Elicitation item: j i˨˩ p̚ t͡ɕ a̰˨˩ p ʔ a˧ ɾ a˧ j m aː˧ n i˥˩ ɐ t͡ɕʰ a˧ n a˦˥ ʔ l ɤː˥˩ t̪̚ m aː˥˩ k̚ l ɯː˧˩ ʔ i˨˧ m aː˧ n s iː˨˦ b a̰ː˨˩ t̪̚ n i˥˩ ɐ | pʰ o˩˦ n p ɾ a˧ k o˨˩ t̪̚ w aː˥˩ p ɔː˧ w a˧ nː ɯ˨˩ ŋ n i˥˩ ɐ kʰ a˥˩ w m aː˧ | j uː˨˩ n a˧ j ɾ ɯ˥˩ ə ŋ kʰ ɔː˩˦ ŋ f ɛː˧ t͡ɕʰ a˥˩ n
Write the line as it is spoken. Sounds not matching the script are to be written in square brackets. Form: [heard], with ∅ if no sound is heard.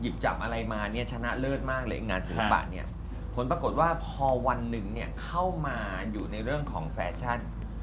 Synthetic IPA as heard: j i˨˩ p̚ t͡ɕ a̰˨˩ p ʔ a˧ ɾ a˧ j m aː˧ n i˥˩ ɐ t͡ɕʰ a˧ n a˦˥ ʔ l ɤː˥˩ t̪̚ m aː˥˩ k̚ l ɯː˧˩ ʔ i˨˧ [ŋ] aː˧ n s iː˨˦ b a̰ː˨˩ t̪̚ n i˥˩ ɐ | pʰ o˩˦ n p ɾ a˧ k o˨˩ t̪̚ w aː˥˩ [pʰ] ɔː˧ w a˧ nː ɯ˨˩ ŋ n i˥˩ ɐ kʰ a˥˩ w m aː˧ | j uː˨˩ n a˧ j ɾ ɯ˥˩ ə ŋ kʰ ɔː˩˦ ŋ f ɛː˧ t͡ɕʰ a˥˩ n